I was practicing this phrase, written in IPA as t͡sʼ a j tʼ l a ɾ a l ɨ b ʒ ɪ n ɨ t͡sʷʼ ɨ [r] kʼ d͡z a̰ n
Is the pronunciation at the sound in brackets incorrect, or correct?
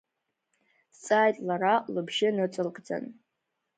incorrect